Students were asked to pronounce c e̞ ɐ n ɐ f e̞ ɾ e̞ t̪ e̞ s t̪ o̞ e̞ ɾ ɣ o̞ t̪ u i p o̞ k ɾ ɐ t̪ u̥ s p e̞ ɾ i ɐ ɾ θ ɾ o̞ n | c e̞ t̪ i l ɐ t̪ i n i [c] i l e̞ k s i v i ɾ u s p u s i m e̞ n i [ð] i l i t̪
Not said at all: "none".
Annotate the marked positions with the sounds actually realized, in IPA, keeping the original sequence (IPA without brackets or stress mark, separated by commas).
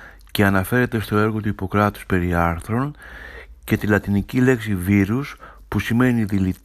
c, ð